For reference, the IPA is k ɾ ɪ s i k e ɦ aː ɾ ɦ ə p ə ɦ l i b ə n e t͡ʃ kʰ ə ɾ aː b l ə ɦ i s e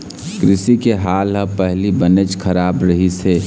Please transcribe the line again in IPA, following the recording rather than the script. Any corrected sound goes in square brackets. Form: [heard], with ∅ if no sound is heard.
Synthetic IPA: k ɾ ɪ s i k e ɦ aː [l] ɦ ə p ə ɦ l i b ə n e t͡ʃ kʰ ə ɾ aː b [ɾ] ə ɦ i s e